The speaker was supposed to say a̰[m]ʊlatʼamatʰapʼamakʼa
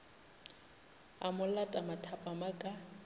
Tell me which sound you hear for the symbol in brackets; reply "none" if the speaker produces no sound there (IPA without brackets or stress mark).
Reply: m